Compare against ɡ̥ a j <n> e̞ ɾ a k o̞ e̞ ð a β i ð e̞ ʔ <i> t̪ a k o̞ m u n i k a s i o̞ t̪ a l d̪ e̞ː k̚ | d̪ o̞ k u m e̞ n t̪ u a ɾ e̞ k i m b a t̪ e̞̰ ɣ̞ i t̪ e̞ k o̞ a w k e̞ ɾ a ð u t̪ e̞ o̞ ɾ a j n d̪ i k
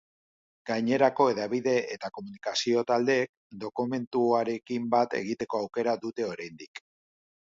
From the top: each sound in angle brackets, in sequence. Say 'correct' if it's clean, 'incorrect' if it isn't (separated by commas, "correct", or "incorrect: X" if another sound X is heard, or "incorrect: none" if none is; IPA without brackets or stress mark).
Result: incorrect: ɲ, incorrect: e